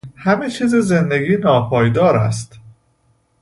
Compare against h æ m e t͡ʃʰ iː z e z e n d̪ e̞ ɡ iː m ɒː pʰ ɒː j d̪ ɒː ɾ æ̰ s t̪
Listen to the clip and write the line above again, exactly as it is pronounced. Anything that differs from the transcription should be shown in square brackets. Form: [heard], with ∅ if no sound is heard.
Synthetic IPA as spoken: h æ m e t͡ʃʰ iː z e z e n d̪ e̞ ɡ iː [n] ɒː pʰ ɒː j d̪ ɒː ɾ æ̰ s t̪